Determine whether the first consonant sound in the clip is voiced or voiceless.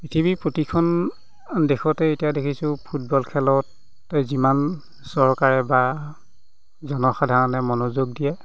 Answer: voiceless